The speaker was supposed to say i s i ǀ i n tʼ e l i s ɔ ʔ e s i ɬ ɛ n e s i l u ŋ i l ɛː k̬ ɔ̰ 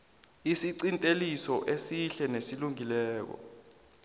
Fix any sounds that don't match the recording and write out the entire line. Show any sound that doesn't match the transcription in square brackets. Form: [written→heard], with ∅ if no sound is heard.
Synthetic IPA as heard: i s i ǀ i n tʼ e l i s ɔ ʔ e s i ɬ ɛ n e s i l u ŋ i l ɛː k̬ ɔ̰